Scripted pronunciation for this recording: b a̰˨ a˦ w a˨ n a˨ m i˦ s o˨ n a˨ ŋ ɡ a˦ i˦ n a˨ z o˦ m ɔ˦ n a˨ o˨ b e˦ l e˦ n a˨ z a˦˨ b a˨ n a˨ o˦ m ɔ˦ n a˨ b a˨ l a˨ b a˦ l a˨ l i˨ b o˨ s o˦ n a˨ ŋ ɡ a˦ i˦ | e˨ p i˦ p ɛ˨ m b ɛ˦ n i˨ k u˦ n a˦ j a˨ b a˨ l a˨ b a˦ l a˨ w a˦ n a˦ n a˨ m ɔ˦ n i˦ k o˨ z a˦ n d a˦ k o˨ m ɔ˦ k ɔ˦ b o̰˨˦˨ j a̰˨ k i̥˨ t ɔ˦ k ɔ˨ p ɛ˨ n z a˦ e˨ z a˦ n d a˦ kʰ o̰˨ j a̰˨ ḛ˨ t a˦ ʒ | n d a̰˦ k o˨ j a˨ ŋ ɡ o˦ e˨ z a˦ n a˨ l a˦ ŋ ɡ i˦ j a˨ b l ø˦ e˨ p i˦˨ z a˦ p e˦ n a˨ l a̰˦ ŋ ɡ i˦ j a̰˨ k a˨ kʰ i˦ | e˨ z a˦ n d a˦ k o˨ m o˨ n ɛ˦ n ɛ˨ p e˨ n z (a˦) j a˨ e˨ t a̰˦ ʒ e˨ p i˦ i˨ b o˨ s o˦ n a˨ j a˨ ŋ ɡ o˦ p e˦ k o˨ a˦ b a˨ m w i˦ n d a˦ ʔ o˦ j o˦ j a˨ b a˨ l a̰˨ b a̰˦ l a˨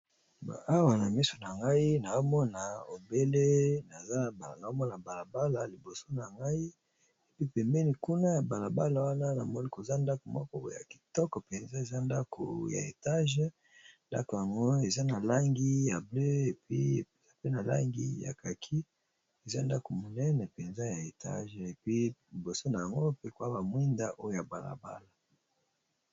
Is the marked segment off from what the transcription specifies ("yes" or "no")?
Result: no